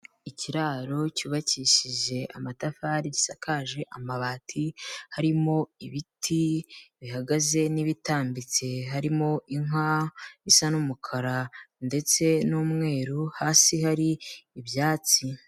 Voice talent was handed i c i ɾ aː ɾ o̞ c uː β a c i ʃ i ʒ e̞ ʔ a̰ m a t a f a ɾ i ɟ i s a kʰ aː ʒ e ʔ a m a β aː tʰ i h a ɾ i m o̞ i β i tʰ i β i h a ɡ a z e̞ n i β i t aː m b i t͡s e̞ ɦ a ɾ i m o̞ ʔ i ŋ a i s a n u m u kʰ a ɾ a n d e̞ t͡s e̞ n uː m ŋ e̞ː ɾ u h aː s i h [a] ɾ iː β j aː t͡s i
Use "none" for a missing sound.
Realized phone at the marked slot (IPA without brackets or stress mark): a